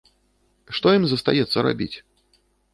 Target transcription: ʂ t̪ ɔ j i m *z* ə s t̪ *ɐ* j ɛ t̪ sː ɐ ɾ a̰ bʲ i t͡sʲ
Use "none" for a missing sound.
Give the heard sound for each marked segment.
z, a

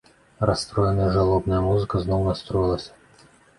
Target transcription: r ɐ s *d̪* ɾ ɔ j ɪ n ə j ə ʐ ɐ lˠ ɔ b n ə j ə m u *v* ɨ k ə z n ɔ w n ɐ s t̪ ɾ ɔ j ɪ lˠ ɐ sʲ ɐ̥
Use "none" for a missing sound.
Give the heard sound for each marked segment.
t̪, z

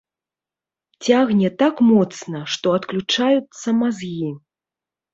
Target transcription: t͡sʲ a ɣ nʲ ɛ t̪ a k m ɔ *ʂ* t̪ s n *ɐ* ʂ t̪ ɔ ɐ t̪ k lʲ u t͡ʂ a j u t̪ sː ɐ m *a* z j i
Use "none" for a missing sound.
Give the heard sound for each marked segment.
none, ɐ, a

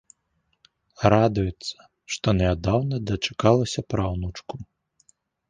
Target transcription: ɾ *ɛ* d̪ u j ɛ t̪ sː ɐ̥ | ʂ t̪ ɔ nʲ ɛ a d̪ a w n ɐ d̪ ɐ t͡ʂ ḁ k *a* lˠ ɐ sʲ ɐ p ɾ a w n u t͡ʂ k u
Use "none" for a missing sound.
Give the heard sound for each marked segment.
a, a

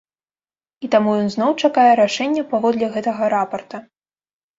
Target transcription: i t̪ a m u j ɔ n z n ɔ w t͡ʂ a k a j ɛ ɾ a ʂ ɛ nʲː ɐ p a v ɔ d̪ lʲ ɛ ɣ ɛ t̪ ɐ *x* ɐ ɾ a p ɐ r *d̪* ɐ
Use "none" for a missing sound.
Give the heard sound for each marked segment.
ɣ, t̪

